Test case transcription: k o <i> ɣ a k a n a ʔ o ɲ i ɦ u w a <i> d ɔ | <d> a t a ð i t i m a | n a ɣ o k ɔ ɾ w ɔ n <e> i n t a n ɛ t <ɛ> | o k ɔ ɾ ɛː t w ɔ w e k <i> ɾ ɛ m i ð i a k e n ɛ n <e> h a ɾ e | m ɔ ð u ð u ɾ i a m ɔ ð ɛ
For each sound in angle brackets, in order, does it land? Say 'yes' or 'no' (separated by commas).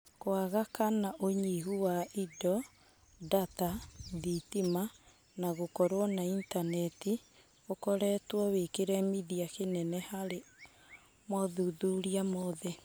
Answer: no, yes, yes, no, no, no, no